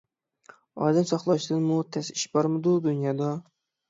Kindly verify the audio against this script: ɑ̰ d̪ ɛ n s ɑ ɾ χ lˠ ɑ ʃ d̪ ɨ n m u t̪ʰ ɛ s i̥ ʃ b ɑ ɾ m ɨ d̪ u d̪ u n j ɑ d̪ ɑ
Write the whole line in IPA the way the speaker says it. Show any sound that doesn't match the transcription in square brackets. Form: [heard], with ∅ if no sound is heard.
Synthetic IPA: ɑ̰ d̪ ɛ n s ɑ [∅] χ lˠ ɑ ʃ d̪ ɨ n m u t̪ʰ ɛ s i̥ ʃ b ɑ ɾ m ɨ d̪ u d̪ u n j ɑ d̪ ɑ